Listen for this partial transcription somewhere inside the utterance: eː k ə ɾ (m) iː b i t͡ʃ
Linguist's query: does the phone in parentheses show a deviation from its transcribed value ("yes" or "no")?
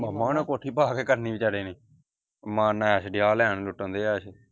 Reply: yes